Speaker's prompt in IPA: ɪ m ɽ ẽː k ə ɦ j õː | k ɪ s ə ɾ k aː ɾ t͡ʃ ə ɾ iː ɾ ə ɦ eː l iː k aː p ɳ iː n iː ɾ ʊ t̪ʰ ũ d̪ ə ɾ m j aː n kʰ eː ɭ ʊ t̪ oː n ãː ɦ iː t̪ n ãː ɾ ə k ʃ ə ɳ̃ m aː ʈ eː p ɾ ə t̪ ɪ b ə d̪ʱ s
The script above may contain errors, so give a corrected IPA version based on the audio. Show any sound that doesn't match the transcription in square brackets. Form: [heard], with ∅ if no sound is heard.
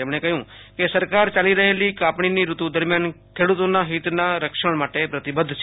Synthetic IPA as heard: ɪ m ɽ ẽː k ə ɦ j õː | k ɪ s ə ɾ k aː ɾ t͡ʃ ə [l] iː ɾ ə ɦ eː l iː k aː p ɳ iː n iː ɾ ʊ [t̪] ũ d̪ ə ɾ m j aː n kʰ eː [ɽ] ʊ t̪ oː n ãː ɦ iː t̪ n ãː ɾ ə k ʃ ə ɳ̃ m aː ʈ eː p ɾ ə t̪ ɪ b ə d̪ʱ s